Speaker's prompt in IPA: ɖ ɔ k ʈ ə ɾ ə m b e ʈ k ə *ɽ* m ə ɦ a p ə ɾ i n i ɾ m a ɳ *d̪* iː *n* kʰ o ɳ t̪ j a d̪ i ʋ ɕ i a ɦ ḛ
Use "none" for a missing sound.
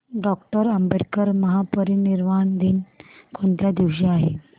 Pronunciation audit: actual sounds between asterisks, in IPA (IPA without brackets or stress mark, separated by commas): ɾ, d̪, n